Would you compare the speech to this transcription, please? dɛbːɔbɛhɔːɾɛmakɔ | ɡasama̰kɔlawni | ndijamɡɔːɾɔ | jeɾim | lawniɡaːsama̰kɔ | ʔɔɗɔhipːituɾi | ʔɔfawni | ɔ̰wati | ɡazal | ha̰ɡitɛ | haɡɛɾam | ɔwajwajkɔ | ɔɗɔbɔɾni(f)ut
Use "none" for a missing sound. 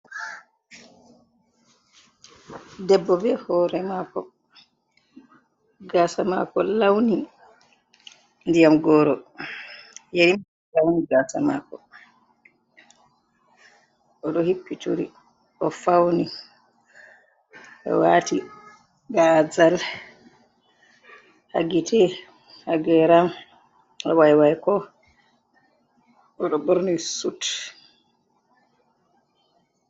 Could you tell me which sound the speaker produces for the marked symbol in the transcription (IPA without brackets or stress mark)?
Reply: s